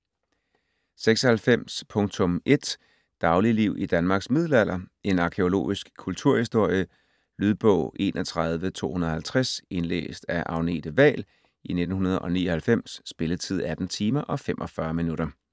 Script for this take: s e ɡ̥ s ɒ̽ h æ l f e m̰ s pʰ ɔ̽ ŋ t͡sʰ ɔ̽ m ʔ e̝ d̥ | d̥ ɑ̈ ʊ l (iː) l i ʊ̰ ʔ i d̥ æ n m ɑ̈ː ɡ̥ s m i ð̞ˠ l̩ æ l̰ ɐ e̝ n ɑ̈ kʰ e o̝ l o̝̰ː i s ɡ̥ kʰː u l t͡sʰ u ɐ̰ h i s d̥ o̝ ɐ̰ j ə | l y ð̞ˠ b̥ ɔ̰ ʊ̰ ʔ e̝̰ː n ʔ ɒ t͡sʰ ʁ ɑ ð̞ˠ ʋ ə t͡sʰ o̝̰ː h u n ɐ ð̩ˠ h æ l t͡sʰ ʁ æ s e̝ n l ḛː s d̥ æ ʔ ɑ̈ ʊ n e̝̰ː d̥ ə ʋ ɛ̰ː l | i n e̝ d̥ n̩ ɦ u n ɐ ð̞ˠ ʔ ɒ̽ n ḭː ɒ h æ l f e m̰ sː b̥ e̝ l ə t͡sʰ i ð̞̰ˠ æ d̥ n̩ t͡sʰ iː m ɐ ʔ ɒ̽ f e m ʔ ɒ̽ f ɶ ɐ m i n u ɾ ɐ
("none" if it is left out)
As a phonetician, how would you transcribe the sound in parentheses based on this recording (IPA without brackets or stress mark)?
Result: i